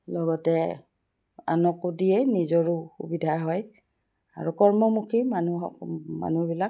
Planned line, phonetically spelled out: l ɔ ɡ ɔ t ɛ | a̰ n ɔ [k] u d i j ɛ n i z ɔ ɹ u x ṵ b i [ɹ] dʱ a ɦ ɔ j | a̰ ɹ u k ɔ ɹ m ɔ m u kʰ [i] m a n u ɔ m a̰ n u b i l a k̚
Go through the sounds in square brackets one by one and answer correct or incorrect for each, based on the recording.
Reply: correct, incorrect, correct

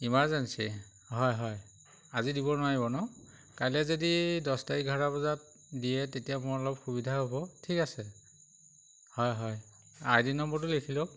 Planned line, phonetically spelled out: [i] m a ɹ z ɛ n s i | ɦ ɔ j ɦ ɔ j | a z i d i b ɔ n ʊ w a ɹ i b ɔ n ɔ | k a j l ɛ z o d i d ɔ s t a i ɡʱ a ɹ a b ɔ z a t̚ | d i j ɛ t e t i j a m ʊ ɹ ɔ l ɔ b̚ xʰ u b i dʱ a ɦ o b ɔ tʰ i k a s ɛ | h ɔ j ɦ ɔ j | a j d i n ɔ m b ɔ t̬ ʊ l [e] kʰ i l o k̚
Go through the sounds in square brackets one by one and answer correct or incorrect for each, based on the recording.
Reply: correct, correct

